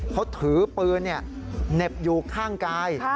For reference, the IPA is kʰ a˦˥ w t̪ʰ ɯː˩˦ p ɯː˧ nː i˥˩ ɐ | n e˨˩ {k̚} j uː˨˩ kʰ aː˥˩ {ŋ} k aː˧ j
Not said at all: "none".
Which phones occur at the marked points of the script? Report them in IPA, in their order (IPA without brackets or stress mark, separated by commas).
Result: p̚, ŋ